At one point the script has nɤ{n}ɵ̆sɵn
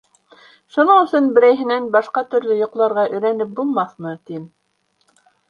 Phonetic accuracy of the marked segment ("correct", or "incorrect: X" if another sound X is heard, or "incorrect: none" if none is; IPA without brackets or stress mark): incorrect: ɴ